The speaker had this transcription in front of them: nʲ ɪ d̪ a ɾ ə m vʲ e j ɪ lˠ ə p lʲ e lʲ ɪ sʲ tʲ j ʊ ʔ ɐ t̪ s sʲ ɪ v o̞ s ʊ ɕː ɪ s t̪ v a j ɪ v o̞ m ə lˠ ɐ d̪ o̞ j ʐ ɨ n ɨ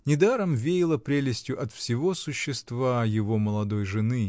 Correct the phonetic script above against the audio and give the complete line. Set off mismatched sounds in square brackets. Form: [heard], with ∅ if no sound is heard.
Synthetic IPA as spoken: nʲ ɪ d̪ a ɾ ə m vʲ e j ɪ lˠ ə p [ɾʲ] e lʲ ɪ sʲ tʲ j ʊ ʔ ɐ t̪ [f] sʲ ɪ v o̞ s ʊ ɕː ɪ s t̪ v a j ɪ v o̞ m ə lˠ ɐ d̪ o̞ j ʐ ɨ n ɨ